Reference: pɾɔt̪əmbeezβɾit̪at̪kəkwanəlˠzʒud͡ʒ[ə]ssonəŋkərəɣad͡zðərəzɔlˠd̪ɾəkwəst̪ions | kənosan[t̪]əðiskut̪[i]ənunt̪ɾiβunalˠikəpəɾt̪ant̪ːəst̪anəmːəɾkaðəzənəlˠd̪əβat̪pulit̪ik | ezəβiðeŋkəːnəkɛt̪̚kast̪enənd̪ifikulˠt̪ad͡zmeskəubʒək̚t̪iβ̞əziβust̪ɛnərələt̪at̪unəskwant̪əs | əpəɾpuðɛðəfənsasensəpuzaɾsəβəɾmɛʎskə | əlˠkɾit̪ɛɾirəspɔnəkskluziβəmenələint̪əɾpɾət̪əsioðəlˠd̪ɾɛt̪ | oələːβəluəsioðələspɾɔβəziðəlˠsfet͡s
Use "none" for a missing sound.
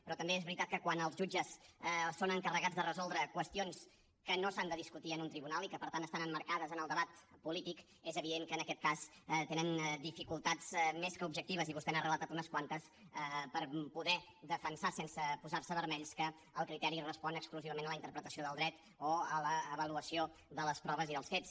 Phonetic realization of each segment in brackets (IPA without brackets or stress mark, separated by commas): ə, d̪, i